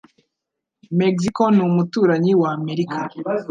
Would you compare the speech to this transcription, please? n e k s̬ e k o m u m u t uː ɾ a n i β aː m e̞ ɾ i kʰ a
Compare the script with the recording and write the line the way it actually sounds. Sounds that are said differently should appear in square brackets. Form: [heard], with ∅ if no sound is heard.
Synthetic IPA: [m] e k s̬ [i] k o [n] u m u t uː ɾ a [ɲ] i [w] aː m e̞ ɾ i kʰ a